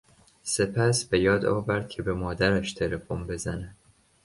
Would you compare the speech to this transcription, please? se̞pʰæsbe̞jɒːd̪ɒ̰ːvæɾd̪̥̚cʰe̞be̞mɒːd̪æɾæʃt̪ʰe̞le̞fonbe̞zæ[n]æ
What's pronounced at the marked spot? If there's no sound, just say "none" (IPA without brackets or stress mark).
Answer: n